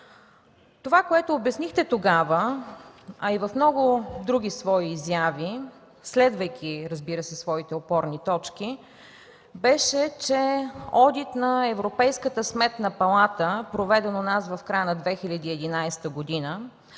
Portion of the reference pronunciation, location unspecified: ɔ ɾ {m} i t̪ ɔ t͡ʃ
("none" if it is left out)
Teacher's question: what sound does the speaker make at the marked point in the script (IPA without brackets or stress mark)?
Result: n